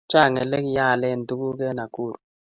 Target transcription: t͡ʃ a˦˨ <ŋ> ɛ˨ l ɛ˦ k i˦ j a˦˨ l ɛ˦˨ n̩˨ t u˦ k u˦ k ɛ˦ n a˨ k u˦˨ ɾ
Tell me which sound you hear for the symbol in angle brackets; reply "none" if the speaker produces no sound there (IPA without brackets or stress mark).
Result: ŋ